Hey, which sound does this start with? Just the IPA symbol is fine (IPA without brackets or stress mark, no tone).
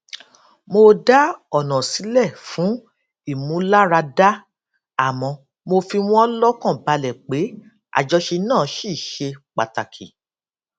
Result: m